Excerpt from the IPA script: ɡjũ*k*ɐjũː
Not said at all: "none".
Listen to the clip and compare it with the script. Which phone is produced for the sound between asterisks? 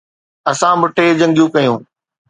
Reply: k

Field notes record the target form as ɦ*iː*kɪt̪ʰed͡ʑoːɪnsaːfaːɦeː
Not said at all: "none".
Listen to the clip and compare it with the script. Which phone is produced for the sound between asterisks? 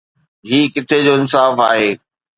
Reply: iː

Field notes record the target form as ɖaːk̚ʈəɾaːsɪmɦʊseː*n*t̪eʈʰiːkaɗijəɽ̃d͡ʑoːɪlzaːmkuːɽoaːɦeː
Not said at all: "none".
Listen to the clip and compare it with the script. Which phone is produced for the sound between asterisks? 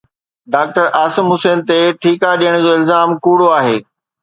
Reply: n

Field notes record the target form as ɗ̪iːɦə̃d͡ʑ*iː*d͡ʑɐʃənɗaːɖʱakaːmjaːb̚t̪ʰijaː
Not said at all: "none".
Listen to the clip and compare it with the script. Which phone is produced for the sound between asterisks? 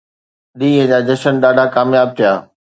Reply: aː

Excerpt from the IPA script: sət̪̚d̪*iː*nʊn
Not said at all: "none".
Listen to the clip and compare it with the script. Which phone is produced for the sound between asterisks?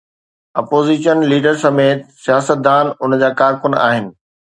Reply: aː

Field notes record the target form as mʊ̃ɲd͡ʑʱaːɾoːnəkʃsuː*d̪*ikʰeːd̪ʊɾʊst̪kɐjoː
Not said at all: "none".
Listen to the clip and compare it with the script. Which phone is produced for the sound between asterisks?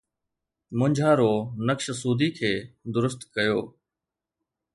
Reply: d̪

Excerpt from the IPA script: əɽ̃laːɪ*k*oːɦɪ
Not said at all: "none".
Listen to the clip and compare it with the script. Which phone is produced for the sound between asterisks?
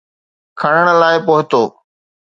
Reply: p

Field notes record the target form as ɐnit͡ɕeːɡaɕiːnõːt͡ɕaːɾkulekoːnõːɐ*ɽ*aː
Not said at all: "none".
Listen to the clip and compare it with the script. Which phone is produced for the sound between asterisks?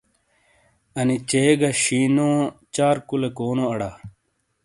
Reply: ɽ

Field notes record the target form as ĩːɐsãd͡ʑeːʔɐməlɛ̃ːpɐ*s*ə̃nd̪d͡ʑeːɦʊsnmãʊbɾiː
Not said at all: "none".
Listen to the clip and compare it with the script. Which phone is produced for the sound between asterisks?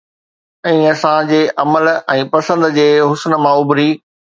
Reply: s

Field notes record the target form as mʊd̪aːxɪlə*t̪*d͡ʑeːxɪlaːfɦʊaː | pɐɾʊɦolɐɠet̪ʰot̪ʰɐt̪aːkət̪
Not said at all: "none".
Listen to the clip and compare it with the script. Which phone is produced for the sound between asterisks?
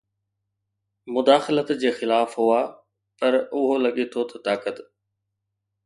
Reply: t̪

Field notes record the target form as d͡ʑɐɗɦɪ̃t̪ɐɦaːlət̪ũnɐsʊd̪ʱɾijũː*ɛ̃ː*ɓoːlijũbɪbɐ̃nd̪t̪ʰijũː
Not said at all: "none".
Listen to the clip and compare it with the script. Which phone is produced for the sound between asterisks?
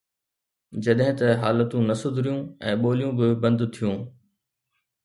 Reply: ɛ̃ː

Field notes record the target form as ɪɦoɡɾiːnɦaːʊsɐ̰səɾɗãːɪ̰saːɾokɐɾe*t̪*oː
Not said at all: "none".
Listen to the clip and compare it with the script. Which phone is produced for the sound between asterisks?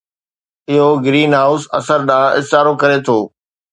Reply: t̪ʰ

